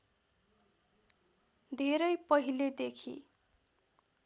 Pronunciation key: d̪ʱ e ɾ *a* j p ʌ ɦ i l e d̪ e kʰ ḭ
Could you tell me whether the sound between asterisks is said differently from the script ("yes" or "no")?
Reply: yes